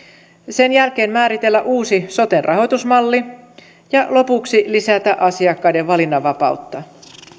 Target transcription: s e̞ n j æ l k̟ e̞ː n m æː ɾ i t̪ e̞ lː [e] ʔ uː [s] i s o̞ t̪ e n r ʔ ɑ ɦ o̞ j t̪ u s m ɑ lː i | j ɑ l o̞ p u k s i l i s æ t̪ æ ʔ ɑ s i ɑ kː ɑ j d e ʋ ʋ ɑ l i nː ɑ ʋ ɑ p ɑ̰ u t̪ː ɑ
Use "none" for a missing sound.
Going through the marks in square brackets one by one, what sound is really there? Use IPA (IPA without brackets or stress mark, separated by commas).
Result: æ, s